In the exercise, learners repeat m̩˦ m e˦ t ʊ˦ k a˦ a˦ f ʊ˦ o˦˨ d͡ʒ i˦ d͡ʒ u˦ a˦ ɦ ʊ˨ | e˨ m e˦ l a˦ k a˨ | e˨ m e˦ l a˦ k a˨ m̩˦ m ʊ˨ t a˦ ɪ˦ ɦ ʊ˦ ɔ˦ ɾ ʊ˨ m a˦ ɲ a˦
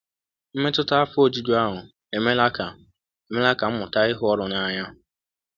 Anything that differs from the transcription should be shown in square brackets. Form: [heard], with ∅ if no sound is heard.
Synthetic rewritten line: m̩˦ m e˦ t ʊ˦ [t] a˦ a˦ f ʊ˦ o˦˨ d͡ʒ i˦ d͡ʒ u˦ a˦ ɦ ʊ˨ | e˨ m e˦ l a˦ k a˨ | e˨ m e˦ l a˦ k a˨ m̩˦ m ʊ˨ t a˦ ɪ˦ ɦ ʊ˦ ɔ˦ ɾ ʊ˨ [n] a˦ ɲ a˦